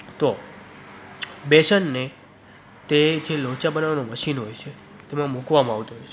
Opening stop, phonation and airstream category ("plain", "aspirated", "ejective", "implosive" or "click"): plain